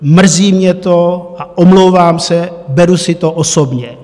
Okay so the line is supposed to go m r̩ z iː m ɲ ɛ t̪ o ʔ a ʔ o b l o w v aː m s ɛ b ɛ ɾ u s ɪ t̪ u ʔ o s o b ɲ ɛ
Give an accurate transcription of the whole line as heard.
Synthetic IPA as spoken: m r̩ z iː m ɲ ɛ t̪ o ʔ a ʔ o m l o w v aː m s ɛ b ɛ ɾ u s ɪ t̪ o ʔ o s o b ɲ ɛ